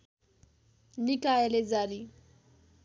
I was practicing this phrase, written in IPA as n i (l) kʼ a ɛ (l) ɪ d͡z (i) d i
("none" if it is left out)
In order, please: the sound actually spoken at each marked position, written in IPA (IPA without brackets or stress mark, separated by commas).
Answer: none, l, a